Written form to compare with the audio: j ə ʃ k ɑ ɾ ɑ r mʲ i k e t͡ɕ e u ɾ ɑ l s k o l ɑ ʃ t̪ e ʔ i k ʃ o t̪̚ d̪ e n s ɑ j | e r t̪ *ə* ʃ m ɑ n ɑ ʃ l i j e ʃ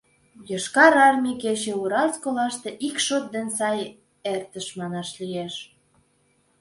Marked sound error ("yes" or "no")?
no